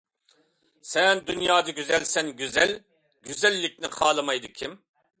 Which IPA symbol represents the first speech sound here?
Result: s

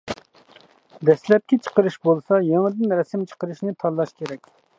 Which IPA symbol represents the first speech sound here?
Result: d̪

